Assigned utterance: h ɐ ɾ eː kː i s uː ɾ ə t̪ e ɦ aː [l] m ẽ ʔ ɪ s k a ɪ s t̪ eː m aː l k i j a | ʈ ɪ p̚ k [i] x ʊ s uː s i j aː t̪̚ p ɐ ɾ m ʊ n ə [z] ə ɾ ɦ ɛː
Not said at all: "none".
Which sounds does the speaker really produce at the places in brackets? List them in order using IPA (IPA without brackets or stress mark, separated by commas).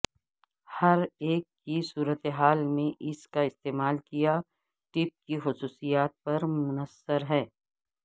l, i, s